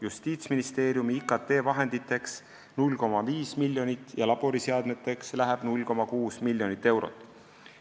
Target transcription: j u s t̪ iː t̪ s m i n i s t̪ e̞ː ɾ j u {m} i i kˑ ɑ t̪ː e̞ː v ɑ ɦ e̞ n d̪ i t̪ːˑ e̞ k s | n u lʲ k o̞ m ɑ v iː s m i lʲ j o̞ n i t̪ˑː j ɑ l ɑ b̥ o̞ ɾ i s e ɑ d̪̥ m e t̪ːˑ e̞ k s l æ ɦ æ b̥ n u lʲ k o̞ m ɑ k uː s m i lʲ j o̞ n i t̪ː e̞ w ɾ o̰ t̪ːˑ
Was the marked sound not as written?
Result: no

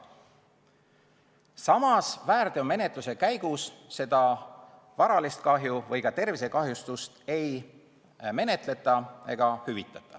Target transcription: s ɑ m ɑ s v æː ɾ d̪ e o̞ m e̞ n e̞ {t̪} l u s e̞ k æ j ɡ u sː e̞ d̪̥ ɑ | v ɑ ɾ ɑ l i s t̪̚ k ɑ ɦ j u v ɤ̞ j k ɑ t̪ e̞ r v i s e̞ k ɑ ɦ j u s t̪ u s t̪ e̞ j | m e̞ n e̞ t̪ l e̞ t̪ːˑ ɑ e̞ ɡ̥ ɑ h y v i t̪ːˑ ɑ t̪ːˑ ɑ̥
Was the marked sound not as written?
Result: no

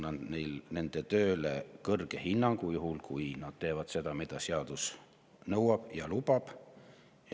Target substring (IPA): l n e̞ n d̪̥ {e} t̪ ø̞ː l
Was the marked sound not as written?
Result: no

